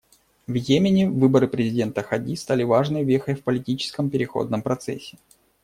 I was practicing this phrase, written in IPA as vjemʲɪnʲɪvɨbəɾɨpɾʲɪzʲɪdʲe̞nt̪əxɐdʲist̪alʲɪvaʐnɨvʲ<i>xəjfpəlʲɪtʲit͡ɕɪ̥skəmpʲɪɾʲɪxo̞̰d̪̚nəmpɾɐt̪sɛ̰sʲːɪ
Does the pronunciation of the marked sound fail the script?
yes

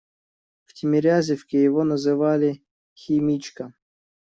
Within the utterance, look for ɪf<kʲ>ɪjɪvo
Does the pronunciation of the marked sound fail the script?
no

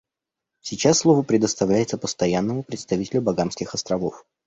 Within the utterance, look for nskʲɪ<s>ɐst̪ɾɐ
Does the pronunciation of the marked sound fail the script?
yes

